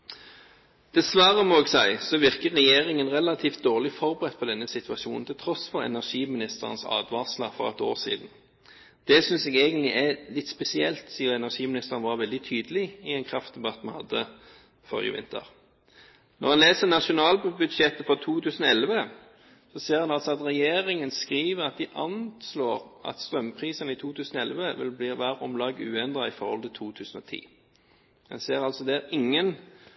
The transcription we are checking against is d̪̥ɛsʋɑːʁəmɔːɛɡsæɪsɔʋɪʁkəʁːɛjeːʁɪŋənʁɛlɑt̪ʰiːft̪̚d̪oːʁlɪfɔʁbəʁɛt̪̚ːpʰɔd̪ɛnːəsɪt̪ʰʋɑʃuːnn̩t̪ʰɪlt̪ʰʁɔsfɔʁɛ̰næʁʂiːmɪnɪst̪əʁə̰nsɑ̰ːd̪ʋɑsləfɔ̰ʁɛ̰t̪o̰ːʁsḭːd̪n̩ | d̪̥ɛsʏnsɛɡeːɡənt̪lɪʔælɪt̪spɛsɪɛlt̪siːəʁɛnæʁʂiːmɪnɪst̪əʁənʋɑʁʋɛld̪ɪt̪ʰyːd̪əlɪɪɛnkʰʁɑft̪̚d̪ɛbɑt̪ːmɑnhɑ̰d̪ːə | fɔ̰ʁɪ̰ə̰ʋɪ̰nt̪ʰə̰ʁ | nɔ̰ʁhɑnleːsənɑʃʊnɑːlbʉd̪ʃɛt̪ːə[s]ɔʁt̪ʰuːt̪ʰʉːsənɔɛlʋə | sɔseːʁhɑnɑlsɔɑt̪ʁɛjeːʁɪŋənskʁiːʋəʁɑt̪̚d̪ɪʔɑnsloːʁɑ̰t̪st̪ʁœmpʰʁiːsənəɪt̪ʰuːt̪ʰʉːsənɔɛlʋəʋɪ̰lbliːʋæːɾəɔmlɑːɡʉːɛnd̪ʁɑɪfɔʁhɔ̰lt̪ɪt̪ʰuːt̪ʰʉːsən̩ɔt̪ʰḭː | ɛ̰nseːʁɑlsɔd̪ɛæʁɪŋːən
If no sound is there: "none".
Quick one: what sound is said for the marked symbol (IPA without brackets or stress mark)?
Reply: f